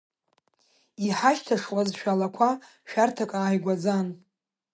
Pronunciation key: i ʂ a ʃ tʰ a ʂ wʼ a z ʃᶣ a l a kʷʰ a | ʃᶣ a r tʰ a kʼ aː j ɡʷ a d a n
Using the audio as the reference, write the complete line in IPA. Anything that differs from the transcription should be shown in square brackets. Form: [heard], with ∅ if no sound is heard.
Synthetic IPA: i [ħ] a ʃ tʰ a ʂ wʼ a z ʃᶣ a l a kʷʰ a | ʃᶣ a r tʰ a kʼ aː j ɡʷ a [d͡z] a n